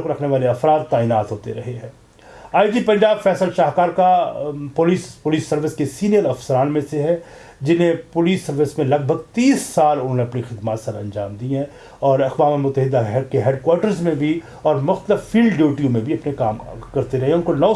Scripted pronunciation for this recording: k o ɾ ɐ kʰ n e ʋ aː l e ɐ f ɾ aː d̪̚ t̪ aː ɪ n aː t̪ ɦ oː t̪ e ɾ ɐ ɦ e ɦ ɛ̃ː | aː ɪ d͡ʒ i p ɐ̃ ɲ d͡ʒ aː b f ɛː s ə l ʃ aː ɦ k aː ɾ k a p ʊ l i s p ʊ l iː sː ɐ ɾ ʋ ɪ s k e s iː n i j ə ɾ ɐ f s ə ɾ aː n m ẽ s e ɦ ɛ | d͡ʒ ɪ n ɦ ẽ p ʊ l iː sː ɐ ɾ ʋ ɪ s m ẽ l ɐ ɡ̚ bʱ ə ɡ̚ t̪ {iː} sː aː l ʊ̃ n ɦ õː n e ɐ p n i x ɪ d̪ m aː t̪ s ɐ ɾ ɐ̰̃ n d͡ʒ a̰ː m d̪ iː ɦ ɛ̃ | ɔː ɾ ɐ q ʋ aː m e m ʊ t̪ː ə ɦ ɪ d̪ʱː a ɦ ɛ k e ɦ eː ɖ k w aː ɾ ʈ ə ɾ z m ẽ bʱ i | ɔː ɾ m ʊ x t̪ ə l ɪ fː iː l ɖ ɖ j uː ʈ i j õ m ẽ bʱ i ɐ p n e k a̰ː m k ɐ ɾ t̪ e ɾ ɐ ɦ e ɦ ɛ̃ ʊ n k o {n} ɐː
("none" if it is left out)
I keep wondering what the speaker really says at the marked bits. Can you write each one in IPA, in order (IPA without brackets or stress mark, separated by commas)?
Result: iː, n